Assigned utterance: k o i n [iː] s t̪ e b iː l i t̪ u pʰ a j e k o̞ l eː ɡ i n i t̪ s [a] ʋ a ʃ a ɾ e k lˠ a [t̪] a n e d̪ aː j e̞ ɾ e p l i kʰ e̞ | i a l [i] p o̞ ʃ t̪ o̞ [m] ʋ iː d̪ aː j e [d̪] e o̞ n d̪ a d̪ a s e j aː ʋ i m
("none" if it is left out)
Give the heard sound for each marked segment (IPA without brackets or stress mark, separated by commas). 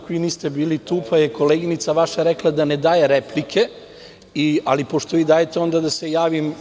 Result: iː, a, d̪, i, none, t̪